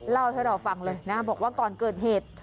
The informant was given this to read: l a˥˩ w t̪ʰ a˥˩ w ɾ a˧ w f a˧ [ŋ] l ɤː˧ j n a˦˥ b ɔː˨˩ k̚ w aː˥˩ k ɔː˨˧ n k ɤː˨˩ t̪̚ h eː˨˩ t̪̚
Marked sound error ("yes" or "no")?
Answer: no